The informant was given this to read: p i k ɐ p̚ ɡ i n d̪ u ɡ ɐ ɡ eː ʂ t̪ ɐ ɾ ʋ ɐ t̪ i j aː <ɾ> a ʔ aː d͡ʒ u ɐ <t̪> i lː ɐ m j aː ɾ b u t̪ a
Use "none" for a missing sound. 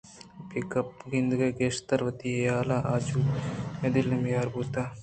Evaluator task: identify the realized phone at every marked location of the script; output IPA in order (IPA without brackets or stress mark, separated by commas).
l, d̪